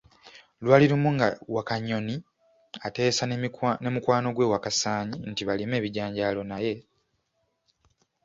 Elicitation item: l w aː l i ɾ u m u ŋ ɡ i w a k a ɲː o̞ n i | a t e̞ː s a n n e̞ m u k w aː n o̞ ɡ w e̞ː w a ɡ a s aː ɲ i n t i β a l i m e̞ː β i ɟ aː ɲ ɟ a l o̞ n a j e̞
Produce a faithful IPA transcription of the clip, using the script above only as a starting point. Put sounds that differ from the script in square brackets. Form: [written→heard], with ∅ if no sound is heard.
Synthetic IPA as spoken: l w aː l i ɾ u m u ŋ ɡ [i→a] w a k a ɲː o̞ n i | a t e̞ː s a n n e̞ m u k w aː n o̞ ɡ w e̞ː w a [ɡ→k] a s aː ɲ i n t i β a l i m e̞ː β i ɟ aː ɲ ɟ a l o̞ n a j e̞